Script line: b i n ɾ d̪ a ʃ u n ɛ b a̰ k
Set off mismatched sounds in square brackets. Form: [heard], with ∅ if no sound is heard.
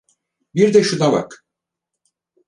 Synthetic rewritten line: b i [∅] ɾ d̪ [ɛ] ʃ u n [a] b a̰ k